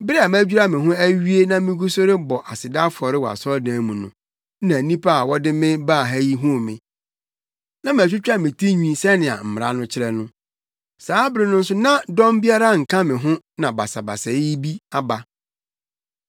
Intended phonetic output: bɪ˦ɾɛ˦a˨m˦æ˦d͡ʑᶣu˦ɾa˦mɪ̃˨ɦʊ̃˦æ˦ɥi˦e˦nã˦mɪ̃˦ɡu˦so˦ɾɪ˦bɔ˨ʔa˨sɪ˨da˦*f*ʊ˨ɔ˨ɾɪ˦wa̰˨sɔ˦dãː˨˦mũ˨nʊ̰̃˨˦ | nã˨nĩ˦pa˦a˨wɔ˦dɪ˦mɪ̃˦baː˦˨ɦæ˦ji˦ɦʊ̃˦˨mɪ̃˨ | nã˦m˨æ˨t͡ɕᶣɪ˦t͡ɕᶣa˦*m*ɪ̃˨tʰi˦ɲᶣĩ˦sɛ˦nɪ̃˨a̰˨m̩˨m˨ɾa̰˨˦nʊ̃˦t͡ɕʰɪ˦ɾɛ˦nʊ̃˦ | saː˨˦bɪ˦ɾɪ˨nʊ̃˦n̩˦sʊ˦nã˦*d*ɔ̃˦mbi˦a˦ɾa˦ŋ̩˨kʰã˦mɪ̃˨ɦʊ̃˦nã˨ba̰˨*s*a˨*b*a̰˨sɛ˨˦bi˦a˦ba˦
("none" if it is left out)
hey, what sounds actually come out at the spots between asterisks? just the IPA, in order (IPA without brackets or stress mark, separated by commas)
f, m, d, s, b